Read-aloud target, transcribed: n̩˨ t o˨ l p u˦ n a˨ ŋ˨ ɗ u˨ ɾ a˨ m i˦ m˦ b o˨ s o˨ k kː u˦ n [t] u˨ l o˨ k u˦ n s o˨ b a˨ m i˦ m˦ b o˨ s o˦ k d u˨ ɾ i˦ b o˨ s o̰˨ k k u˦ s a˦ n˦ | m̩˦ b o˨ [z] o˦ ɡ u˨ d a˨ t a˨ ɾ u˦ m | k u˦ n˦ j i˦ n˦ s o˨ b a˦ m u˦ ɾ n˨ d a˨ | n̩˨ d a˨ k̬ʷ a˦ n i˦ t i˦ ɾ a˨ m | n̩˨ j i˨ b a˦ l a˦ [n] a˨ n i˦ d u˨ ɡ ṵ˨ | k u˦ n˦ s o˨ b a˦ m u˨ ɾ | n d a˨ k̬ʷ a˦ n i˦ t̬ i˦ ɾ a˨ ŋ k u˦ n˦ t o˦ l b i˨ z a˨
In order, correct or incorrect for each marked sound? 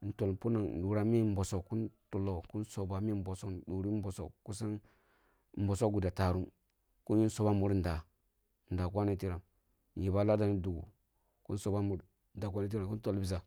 correct, incorrect, incorrect

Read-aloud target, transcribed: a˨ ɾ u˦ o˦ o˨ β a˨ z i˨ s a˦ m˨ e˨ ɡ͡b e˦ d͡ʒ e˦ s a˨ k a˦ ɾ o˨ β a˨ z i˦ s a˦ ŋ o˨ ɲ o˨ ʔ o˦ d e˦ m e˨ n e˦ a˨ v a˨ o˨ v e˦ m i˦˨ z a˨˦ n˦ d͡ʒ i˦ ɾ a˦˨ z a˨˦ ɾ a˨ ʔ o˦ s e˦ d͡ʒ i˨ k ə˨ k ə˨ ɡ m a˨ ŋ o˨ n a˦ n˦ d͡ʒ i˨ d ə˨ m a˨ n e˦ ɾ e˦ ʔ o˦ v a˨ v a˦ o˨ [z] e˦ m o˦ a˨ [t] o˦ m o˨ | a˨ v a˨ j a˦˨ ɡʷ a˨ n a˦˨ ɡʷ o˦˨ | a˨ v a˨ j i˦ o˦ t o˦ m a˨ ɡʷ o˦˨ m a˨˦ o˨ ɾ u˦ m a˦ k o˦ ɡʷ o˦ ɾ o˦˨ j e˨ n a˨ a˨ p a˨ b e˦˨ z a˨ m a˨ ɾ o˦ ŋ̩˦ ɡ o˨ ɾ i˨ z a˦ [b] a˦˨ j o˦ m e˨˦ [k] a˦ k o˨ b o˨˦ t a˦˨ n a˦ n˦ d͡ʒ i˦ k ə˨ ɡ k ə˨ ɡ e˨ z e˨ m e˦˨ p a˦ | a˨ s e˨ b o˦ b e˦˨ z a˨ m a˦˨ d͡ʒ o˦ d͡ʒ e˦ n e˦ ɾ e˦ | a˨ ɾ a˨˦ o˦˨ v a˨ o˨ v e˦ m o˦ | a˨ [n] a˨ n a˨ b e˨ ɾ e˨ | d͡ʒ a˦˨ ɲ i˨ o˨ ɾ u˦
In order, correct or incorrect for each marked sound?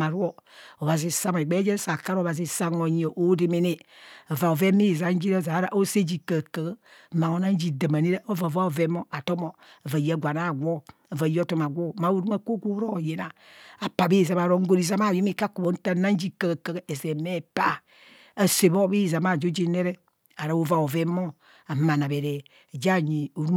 incorrect, correct, incorrect, correct, incorrect

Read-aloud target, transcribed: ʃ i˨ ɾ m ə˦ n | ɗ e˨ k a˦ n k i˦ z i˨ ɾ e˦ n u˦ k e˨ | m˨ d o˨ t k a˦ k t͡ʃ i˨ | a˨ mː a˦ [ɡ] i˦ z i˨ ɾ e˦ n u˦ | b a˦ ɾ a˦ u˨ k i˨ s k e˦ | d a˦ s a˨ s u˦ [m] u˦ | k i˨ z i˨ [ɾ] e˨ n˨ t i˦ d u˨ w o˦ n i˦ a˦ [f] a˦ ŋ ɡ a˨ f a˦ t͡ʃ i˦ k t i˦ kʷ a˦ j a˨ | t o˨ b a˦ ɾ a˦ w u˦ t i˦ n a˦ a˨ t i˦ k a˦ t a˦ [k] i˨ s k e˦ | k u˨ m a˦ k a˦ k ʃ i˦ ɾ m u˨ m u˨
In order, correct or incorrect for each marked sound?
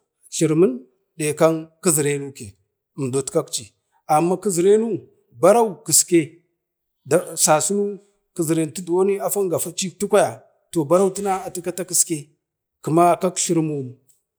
incorrect, incorrect, correct, correct, correct

